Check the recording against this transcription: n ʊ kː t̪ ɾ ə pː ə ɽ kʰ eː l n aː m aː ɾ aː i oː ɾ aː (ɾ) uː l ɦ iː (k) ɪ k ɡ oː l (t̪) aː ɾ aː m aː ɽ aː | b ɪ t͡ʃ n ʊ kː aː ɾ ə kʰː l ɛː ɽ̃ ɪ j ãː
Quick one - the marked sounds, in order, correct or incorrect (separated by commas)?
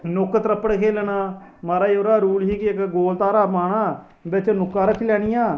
correct, correct, correct